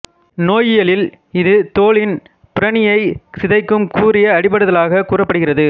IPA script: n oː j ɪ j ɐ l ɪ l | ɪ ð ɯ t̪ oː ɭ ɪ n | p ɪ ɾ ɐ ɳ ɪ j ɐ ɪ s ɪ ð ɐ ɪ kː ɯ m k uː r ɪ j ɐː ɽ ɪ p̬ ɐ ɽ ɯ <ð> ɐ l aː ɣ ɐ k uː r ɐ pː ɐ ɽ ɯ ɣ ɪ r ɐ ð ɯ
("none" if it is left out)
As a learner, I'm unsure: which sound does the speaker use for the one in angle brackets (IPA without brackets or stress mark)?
ð